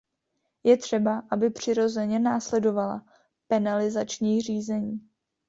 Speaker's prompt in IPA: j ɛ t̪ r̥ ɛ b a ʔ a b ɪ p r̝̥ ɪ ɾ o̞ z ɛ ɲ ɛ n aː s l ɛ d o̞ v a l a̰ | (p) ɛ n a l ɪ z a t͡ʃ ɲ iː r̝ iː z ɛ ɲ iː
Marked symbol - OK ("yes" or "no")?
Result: yes